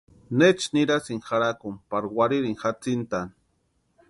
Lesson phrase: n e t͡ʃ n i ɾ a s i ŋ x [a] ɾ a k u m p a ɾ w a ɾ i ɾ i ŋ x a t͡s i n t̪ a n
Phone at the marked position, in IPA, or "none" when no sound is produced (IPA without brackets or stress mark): a